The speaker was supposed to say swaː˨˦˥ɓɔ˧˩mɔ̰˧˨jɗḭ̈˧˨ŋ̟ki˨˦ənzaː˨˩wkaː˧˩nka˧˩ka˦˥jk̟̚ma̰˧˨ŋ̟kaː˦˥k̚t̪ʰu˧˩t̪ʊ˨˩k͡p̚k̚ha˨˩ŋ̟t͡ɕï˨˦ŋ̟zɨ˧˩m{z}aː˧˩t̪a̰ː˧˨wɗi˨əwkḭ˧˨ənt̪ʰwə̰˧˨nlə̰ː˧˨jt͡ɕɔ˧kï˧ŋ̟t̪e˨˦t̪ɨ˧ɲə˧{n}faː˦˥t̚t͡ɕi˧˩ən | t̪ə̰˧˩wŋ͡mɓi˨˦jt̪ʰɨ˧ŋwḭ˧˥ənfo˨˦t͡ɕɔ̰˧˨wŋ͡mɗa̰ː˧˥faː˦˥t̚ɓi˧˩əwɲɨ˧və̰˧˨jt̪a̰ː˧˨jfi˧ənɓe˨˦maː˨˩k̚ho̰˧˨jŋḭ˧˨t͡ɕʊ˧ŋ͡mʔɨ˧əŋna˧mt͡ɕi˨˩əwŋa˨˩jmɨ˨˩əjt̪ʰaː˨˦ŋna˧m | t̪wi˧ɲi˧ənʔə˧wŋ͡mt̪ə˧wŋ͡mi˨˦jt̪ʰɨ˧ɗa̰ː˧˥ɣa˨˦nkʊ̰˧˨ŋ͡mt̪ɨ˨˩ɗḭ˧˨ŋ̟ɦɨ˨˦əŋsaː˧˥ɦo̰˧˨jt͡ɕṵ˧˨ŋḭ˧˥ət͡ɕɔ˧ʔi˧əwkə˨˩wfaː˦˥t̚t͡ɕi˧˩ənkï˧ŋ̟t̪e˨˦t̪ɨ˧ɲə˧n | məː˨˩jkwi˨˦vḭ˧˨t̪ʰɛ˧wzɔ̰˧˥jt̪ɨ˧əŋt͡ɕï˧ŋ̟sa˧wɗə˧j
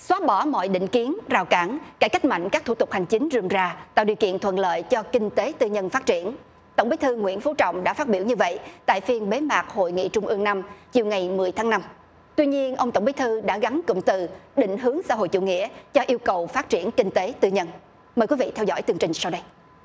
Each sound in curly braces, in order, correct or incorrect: correct, correct

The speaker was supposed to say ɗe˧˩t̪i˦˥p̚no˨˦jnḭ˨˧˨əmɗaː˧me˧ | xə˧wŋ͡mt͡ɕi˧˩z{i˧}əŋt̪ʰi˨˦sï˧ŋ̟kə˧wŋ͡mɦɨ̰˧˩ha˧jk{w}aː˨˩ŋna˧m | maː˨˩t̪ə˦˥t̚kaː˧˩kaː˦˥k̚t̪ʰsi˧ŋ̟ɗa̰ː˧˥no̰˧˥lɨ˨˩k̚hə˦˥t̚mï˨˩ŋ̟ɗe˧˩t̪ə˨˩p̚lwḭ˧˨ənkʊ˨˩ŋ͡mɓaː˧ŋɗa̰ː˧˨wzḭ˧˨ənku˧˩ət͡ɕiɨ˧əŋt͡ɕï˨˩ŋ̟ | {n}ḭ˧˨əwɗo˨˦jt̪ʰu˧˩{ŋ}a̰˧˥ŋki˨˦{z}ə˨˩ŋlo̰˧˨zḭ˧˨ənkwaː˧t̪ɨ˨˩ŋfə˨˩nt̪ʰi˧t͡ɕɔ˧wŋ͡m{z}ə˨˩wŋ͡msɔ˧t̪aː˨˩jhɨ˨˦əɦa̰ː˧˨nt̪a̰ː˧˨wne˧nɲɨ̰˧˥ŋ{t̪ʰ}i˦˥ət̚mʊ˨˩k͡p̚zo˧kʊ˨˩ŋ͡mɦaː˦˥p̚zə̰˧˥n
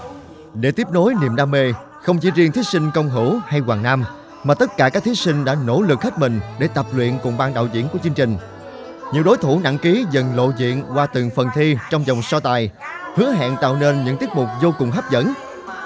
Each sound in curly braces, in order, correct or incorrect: correct, correct, incorrect: ɲ, incorrect: n, correct, correct, incorrect: t̪

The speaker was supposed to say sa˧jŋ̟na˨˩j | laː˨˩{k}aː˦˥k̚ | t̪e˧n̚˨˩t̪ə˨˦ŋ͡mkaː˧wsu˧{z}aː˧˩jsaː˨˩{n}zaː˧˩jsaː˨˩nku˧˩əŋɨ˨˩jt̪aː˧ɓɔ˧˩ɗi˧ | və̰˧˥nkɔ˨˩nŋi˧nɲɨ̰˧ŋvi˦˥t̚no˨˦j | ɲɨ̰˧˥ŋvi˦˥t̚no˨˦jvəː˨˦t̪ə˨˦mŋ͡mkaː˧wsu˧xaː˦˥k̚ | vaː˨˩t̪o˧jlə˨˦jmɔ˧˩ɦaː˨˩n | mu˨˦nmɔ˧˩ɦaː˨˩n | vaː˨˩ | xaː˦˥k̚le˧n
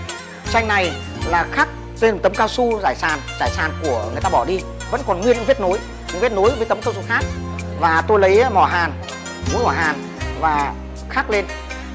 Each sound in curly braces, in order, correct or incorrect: incorrect: x, correct, correct

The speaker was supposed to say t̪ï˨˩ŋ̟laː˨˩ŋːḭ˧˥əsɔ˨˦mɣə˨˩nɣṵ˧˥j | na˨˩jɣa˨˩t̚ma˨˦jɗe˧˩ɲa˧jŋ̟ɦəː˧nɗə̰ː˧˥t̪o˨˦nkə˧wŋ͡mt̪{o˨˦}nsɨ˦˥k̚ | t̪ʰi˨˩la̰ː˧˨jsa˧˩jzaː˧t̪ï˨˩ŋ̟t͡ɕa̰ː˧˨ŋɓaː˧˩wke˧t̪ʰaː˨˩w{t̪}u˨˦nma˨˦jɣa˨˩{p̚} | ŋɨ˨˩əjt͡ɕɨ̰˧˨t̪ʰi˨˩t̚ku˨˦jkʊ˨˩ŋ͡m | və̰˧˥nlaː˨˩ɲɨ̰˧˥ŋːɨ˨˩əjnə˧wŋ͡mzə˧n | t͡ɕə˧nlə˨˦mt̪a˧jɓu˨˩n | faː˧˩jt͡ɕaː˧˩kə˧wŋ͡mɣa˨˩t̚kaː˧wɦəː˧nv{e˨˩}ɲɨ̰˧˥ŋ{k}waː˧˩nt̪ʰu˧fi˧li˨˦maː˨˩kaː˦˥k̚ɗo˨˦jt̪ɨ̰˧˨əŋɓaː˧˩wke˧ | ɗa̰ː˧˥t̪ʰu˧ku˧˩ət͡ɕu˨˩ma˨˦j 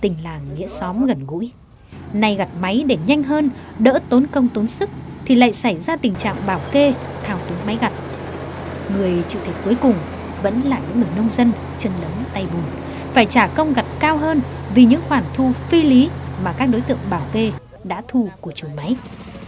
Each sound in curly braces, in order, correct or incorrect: correct, correct, incorrect: t̚, incorrect: i˨˩, incorrect: x

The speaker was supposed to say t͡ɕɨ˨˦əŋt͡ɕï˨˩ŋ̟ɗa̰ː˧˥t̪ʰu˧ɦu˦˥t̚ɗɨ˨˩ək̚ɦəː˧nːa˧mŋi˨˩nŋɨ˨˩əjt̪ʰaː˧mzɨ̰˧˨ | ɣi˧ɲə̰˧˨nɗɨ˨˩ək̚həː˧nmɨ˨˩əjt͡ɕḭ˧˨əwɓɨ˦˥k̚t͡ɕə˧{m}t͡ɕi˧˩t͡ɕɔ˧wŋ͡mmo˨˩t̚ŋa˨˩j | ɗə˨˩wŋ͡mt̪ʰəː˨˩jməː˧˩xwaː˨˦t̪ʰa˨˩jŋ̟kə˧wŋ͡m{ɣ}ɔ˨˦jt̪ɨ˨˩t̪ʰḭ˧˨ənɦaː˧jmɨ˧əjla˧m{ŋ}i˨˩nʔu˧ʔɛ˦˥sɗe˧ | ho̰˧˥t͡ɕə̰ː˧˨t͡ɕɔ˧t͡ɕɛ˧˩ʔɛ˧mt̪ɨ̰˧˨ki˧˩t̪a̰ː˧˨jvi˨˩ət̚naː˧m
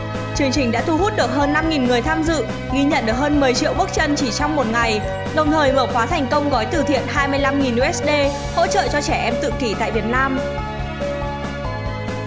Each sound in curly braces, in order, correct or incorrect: incorrect: n, correct, correct

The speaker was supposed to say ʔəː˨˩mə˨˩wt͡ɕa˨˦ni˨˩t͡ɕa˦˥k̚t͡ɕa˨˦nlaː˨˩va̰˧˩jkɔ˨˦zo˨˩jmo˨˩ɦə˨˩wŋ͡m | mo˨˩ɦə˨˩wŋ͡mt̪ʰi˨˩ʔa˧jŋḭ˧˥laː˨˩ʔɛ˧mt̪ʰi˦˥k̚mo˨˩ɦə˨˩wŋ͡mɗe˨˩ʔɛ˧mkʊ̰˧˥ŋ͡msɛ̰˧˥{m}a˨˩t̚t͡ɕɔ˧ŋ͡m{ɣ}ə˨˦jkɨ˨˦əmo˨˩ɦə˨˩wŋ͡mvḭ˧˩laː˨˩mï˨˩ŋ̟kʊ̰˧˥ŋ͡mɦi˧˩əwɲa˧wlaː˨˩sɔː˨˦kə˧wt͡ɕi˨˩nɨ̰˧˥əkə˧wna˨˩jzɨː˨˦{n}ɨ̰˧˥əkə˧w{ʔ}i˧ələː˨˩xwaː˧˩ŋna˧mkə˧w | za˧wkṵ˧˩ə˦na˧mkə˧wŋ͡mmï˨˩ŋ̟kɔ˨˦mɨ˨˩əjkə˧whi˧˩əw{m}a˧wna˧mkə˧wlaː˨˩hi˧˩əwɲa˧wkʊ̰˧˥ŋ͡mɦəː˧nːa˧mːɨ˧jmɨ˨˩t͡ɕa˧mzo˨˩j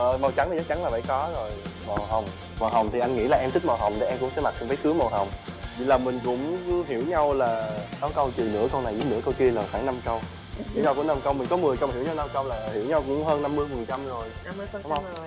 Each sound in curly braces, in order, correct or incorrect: correct, incorrect: v, correct, incorrect: k, incorrect: ɲ

